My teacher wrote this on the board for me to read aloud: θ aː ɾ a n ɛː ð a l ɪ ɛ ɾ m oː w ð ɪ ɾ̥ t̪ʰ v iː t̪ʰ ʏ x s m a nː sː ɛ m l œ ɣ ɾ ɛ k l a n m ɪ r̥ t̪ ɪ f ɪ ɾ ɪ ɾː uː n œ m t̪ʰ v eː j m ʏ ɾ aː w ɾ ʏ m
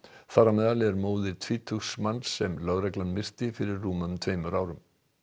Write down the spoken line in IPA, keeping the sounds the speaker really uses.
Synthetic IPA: θ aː ɾ a m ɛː ð a l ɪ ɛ ɾ m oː w ð ɪ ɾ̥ t̪ʰ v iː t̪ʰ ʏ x s m a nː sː ɛ m l œ ɣ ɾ ɛ k l a n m ɪ r̥ t̪ ɪ f ɪ ɾ ɪ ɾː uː m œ m t̪ʰ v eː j m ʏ ɾ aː w ɾ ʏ m